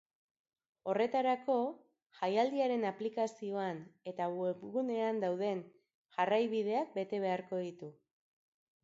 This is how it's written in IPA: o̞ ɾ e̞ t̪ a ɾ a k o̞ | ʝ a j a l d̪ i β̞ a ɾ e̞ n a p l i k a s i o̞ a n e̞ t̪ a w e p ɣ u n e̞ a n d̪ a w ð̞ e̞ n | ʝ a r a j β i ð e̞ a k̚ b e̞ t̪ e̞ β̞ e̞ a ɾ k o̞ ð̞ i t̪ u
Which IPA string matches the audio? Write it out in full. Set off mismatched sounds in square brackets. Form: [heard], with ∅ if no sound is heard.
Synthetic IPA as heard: o̞ [r] e̞ t̪ a ɾ a k o̞ | ʝ a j a l d̪ i [∅] a ɾ e̞ n a p l i k a s i o̞ a n e̞ t̪ a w e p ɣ u n e̞ a n d̪ a w ð̞ e̞ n | ʝ a r a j β i ð e̞ a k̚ b e̞ t̪ e̞ β̞ e̞ a ɾ k o̞ ð̞ i t̪ u

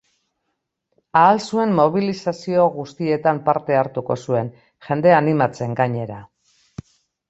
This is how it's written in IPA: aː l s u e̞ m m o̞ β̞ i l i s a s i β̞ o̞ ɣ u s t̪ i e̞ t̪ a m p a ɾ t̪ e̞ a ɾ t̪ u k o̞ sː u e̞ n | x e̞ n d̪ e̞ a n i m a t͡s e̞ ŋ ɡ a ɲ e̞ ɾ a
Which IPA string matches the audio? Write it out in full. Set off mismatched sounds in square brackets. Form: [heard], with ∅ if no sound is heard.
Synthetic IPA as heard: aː l s u e̞ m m o̞ β̞ i l i s a s i [∅] o̞ ɣ u s t̪ i e̞ t̪ a m p a ɾ t̪ e̞ a ɾ t̪ u k o̞ [s] u e̞ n | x e̞ n d̪ e̞ a n i m a t͡s e̞ ŋ ɡ a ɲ e̞ ɾ a

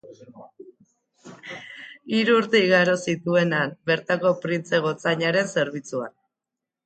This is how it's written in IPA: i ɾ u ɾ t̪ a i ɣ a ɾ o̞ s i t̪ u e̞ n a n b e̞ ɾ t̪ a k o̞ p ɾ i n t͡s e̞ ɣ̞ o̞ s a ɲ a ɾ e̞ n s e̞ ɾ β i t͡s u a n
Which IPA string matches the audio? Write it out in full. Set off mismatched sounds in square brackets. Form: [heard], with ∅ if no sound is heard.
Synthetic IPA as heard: i ɾ [uː] ɾ t̪ [e] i ɣ a ɾ o̞ s i t̪ u e̞ n a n b e̞ ɾ t̪ a k o̞ p ɾ i n t͡s e̞ ɣ̞ o̞ [t͡s] a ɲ a ɾ e̞ n s e̞ ɾ β i t͡s u a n

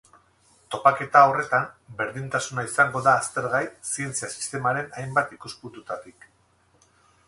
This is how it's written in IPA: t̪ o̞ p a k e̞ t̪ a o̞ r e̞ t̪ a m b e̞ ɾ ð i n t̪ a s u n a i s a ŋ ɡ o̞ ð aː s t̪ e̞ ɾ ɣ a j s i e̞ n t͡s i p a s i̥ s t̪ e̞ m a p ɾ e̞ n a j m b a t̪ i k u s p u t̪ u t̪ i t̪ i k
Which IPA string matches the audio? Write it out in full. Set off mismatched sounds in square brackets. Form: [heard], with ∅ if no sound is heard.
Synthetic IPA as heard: t̪ o̞ p a k e̞ t̪ a o̞ r e̞ t̪ a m b e̞ ɾ ð i n t̪ a s u n a i s a ŋ ɡ o̞ ð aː s t̪ e̞ ɾ ɣ a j s i e̞ n t͡s i [∅] a s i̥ s t̪ e̞ m a [∅] ɾ e̞ n a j m b a t̪ i k u s p u t̪ u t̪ [a] t̪ i k

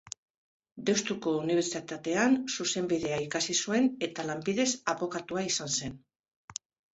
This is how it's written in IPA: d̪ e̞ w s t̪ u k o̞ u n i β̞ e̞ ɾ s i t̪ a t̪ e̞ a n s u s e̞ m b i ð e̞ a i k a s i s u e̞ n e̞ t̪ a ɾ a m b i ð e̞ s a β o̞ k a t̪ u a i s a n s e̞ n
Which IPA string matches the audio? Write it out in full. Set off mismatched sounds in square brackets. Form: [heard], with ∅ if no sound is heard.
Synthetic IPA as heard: d̪ e̞ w s t̪ u k o̞ u n i β̞ e̞ ɾ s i t̪ a t̪ e̞ a n s u s e̞ m b i ð e̞ a i k a s i s u e̞ n e̞ t̪ a [l] a m b i ð e̞ s a β o̞ k a t̪ u a i s a n s e̞ n

